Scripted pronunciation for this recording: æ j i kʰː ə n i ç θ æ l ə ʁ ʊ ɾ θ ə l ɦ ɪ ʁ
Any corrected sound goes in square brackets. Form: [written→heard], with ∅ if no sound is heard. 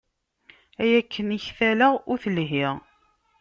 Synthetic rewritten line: æ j [i→æ] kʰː ə n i ç θ æ l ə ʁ ʊ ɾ θ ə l ɦ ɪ ʁ